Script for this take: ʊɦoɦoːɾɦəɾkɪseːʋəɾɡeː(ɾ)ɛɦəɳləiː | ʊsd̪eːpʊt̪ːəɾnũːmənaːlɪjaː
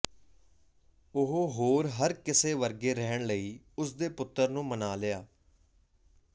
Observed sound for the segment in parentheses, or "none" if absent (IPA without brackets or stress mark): ɾ